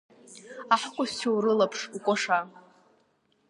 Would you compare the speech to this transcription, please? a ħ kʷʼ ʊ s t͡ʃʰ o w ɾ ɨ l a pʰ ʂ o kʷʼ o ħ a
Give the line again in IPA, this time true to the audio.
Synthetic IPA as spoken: a ħ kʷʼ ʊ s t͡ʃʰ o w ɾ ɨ l a pʰ ʂ u kʷʼ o ʂ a